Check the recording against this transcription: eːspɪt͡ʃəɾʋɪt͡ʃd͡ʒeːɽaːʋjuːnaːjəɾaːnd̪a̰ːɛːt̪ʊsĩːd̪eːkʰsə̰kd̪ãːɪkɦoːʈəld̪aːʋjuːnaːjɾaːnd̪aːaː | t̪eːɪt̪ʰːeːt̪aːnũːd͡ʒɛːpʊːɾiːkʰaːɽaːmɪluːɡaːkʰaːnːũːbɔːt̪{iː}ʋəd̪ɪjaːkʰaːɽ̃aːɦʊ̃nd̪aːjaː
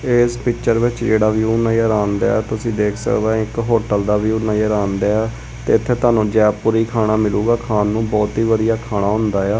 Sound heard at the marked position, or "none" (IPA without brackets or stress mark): iː